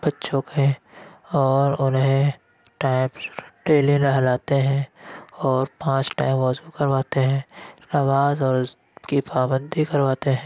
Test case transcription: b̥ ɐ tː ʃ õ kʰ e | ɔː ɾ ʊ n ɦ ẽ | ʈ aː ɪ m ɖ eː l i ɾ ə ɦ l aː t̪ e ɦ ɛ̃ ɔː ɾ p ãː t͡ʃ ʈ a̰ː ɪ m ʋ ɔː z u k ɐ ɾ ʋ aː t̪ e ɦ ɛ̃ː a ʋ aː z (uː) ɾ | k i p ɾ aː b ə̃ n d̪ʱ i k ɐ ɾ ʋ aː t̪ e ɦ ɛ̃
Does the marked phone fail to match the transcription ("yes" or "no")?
yes